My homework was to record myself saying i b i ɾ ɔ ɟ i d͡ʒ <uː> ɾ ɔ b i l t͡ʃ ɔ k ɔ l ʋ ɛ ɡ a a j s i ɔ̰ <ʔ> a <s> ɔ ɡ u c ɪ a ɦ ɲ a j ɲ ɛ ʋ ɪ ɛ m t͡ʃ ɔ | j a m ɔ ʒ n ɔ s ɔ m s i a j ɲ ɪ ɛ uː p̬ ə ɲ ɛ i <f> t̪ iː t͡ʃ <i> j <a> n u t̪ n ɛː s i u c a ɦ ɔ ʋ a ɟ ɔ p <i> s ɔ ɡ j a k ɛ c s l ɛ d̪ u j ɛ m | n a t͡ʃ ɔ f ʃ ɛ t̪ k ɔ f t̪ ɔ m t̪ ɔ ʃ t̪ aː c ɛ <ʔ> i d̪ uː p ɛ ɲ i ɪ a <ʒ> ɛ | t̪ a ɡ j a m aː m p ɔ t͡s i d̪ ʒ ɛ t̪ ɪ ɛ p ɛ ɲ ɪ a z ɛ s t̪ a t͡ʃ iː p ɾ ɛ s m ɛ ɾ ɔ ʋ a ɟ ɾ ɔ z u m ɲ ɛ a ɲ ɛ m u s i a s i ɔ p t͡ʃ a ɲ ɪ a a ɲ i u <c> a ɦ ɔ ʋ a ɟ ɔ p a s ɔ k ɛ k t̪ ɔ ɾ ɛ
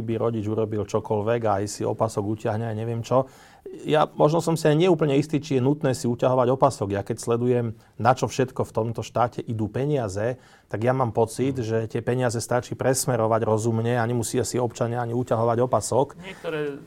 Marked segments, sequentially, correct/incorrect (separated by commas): incorrect, incorrect, correct, incorrect, correct, incorrect, incorrect, correct, incorrect, correct